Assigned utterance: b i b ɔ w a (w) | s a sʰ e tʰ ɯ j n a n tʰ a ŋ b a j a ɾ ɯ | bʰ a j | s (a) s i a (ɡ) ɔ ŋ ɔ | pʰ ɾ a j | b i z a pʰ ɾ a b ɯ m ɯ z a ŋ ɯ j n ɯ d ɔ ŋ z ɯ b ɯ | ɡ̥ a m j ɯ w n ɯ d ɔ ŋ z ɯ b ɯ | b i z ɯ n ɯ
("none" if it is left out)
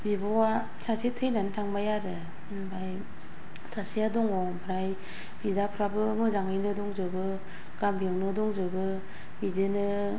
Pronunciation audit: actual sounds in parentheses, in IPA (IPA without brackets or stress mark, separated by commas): none, a, d